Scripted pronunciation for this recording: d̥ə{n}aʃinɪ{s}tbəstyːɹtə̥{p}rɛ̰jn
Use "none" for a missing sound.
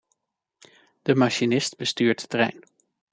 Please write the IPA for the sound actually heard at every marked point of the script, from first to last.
m, s, t

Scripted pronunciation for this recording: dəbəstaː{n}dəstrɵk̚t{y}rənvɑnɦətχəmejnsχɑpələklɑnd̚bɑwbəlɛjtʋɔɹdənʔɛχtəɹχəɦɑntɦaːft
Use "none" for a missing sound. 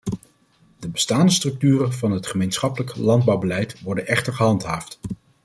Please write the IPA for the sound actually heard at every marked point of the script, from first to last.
n, yː

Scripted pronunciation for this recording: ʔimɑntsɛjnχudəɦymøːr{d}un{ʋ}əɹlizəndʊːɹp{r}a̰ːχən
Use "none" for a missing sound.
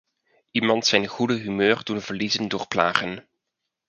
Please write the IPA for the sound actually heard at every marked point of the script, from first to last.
d, v, l

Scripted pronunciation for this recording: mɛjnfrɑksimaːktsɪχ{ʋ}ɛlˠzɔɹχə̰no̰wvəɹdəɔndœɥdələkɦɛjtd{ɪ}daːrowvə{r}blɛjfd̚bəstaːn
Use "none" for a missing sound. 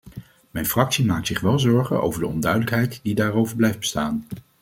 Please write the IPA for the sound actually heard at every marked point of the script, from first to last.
ʋ, i, ɹ

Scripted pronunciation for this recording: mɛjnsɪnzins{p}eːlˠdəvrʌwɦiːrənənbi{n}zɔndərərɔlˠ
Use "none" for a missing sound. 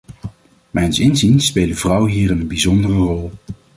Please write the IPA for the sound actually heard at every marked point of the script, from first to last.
p, none

